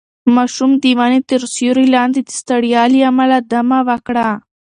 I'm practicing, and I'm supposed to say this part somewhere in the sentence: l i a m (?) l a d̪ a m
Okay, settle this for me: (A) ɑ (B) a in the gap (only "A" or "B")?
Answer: B